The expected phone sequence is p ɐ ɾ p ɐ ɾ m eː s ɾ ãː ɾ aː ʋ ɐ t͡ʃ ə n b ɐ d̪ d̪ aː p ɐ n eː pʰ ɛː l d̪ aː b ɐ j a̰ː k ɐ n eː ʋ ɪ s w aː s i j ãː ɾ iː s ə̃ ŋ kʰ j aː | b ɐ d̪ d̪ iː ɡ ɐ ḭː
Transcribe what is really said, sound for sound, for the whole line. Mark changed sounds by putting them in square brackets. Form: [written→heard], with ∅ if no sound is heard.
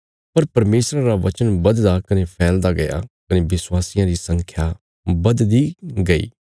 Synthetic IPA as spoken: p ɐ ɾ p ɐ ɾ m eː s ɾ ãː ɾ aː ʋ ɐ t͡ʃ ə n b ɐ d̪ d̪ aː [p→k] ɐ n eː pʰ ɛː l d̪ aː [b→ɡ] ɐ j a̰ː k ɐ n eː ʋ ɪ s w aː s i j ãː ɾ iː s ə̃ ŋ kʰ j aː | b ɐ d̪ d̪ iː ɡ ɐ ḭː